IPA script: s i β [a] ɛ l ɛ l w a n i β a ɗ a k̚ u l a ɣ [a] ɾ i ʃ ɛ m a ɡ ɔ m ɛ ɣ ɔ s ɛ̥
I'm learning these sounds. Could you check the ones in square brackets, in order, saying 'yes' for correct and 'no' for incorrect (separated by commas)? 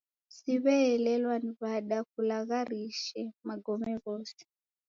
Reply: no, yes